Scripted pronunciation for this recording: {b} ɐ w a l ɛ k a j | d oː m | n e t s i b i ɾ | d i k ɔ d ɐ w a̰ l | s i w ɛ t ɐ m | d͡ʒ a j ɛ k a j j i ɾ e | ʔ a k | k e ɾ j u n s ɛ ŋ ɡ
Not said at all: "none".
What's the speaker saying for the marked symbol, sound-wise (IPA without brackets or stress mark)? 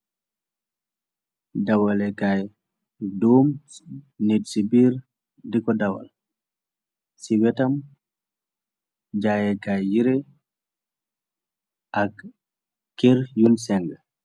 d